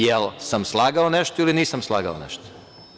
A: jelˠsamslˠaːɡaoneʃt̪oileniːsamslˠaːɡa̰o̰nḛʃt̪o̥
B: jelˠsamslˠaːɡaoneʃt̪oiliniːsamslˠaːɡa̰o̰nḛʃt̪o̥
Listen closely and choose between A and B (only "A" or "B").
B